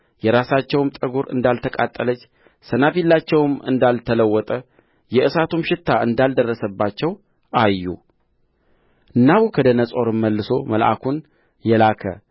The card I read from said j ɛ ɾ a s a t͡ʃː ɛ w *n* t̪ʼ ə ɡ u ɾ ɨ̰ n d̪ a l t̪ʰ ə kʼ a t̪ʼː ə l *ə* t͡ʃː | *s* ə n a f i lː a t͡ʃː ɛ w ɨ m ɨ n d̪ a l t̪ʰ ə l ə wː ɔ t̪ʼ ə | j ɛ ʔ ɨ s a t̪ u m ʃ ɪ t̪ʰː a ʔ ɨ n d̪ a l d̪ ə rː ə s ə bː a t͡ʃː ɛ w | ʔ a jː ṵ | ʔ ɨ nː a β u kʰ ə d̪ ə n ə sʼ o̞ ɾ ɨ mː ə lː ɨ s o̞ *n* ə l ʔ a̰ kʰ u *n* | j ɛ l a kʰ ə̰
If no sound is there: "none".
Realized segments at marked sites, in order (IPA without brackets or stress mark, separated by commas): m, ə, s, m, n